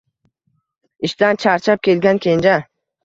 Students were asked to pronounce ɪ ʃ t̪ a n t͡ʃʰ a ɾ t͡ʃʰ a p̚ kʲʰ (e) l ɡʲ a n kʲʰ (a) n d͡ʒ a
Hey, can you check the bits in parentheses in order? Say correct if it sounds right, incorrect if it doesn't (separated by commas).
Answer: correct, incorrect